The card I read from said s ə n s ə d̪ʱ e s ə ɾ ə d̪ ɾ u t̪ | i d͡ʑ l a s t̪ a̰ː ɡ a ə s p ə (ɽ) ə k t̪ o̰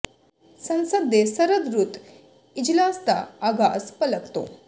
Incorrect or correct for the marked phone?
incorrect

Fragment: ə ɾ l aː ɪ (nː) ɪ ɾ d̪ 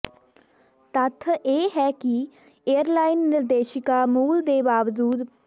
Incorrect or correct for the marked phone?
correct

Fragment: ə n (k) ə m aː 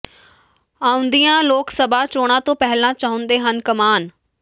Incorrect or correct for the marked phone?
correct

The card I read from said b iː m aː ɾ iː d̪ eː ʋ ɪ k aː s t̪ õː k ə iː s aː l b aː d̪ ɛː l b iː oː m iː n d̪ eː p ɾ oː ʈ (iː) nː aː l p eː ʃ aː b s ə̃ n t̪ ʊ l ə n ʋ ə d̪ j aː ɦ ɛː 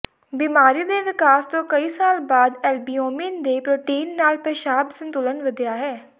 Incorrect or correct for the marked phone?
correct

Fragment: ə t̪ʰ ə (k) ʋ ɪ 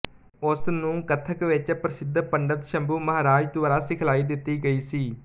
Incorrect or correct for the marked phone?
correct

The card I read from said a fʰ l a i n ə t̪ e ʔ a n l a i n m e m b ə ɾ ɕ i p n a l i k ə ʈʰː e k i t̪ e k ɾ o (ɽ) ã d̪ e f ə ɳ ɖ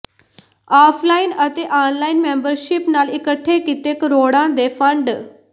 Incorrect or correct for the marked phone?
correct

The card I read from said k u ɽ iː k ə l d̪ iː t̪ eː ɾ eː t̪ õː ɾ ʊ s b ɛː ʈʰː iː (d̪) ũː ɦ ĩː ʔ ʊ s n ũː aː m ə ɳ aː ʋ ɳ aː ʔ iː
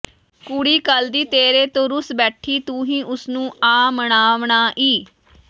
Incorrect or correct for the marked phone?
incorrect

